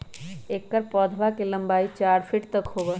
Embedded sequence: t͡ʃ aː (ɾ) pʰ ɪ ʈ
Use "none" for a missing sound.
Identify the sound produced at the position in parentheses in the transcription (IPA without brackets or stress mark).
ɾ